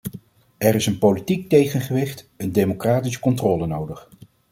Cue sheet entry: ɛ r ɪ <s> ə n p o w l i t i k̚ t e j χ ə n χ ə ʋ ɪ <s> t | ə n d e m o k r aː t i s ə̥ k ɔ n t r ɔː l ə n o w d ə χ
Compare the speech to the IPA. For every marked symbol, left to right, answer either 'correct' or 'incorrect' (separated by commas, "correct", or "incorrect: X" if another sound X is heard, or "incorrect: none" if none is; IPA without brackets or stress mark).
correct, incorrect: χ